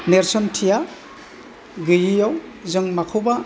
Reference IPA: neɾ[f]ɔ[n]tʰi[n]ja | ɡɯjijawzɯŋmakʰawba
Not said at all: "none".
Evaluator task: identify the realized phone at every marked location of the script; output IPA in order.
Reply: s, n, none

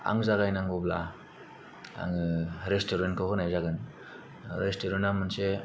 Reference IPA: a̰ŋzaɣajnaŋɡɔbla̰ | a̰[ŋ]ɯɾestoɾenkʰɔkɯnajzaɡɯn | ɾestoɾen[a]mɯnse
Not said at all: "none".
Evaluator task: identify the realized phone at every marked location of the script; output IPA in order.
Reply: ŋ, a

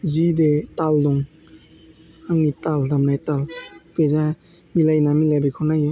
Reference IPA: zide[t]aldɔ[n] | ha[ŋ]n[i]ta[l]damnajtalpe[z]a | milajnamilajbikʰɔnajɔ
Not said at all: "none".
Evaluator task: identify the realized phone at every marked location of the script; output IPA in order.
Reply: t, ŋ, ŋ, i, l, z

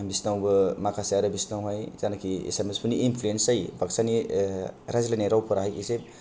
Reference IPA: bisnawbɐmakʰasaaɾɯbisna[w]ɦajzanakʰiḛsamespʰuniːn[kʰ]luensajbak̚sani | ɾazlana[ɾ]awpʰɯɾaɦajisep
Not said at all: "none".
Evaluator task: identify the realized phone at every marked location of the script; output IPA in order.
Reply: w, pʰ, ɾ

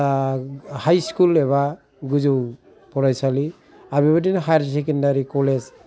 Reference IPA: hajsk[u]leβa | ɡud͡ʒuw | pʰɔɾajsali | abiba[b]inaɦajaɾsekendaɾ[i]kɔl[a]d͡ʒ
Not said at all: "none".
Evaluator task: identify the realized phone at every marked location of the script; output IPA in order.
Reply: u, d, i, e

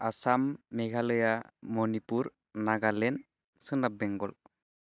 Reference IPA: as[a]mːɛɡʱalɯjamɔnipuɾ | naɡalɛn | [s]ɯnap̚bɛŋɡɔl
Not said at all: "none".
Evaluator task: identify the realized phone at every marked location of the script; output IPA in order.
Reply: a, s

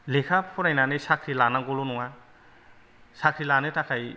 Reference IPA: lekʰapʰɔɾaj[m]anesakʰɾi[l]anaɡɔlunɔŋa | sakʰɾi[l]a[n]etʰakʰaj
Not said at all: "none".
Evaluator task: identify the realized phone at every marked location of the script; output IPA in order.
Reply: n, l, l, n

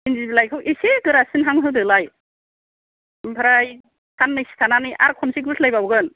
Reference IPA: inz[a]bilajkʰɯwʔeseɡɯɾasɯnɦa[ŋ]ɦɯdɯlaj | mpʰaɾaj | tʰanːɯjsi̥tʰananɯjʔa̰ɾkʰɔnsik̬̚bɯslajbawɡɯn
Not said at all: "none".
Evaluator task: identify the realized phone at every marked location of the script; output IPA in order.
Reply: i, ŋ

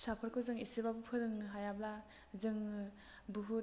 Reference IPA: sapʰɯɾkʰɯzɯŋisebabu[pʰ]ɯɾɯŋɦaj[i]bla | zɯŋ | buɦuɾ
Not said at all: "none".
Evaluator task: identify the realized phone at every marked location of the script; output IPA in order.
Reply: pʰ, a

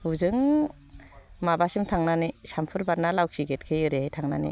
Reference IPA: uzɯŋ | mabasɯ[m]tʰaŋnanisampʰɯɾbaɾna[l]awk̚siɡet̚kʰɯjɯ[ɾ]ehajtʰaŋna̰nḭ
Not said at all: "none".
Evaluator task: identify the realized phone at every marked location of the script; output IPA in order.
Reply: m, l, ɾ

